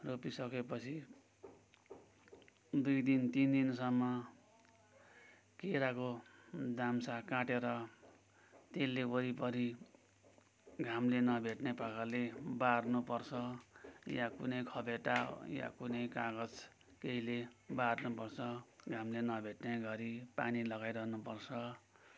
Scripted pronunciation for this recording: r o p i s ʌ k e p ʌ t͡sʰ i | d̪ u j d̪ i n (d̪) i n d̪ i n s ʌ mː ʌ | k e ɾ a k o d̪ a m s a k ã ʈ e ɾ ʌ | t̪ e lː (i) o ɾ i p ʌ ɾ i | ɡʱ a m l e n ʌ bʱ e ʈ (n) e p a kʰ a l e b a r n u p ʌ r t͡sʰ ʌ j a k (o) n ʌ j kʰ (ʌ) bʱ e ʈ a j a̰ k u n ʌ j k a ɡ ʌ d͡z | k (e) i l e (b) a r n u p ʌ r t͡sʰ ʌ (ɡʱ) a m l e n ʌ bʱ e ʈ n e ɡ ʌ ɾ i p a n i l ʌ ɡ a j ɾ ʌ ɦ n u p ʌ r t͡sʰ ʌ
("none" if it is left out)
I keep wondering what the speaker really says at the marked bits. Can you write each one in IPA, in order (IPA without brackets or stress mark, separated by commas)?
t̪, e, n, u, ʌ, e, b, ɡʱ